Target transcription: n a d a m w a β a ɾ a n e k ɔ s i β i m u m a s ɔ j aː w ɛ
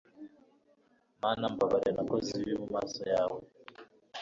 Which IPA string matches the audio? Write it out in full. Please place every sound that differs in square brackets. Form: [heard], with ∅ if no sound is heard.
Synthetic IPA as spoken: [m] a [n] a m [b] a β a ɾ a n [a] k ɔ [z] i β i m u m a s ɔ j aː w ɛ